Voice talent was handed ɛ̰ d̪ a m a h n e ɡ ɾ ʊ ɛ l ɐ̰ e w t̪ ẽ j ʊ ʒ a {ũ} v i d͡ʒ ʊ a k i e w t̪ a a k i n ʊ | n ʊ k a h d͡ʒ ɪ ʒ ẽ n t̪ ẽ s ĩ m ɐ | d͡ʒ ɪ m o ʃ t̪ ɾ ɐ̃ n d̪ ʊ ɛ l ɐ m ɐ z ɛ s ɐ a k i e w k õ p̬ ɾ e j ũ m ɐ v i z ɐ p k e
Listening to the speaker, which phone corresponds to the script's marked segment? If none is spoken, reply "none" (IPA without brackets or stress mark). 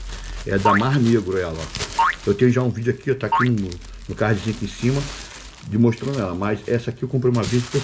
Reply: ũ